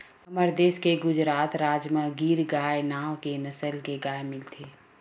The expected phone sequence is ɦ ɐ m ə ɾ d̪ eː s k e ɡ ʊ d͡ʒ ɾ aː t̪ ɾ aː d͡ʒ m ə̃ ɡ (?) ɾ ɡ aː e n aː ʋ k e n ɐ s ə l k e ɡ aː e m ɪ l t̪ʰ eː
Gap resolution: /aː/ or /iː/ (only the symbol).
iː